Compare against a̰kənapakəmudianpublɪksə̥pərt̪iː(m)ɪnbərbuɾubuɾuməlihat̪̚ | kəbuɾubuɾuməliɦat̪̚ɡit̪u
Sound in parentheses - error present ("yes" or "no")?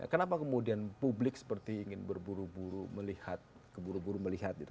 yes